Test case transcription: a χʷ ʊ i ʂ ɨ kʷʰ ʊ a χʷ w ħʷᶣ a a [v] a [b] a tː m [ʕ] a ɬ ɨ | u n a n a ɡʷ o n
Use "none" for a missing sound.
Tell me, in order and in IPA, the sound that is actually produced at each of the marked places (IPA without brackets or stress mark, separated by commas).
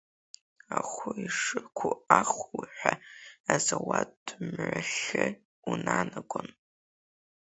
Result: z, w, ʕ